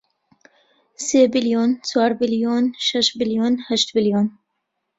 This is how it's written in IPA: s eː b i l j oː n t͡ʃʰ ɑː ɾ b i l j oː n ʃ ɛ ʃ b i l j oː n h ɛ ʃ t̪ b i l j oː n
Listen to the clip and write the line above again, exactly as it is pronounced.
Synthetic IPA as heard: s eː b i l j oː n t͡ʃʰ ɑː ɾ b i l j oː n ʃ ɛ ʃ b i l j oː n h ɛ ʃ t̪ b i l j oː n